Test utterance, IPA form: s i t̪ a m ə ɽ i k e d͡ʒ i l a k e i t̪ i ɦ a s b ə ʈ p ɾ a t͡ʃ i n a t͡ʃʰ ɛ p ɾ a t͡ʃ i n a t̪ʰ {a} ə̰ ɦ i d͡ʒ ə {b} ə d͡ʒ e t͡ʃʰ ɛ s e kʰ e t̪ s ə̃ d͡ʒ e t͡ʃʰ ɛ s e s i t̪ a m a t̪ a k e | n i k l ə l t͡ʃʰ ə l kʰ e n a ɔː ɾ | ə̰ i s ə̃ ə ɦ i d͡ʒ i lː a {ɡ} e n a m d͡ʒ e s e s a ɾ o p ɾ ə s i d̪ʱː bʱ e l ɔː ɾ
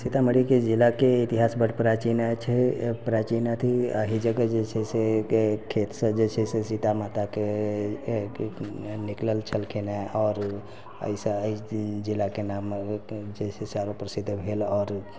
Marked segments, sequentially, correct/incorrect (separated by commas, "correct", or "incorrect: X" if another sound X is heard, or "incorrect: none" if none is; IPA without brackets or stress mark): incorrect: i, incorrect: ɡ, incorrect: k